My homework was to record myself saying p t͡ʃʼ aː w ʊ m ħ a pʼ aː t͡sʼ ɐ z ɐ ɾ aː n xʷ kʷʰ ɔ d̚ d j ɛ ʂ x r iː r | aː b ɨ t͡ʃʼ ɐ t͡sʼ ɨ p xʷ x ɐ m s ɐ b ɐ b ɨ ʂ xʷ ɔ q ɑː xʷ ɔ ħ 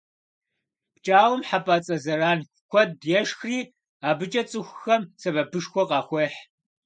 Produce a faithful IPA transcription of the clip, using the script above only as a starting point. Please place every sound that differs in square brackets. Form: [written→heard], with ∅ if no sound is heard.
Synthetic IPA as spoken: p t͡ʃʼ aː w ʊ m ħ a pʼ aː t͡sʼ ɐ z ɐ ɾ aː n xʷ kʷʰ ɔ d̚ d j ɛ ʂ x r iː [r→∅] | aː b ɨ t͡ʃʼ ɐ t͡sʼ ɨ [p→∅] xʷ x ɐ m s ɐ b ɐ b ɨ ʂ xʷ ɔ q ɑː xʷ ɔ ħ